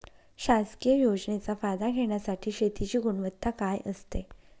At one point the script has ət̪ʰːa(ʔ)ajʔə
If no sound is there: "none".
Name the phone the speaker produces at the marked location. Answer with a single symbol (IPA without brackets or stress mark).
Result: k